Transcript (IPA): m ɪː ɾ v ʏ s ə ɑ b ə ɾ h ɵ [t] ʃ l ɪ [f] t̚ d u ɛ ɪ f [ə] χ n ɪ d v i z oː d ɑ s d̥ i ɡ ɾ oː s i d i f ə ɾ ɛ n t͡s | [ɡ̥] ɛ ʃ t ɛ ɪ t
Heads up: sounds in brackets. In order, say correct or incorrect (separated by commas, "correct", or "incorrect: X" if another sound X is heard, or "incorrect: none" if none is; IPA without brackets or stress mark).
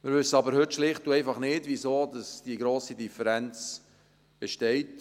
correct, incorrect: χ, incorrect: ɑ, incorrect: b̥